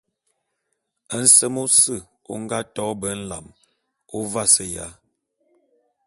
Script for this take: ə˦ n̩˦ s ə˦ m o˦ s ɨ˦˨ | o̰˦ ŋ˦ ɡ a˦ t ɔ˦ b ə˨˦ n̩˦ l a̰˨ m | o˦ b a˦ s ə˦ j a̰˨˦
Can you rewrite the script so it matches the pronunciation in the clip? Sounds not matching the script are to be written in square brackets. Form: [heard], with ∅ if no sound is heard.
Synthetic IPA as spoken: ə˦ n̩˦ s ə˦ m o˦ s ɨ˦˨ | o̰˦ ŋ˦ ɡ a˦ t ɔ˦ b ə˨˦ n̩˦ l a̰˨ m | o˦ [v] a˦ s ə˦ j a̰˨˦